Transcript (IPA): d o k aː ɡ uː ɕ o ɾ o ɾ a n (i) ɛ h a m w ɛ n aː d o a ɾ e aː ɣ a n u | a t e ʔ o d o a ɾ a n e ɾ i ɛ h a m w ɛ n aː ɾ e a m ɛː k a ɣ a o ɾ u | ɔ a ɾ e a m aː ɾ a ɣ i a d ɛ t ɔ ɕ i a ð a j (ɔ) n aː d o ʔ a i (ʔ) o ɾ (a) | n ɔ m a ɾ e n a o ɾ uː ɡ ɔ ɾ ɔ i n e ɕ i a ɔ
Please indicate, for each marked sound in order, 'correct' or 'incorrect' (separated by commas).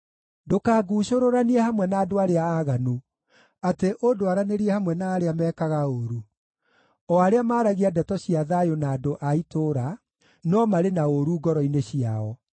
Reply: correct, incorrect, incorrect, correct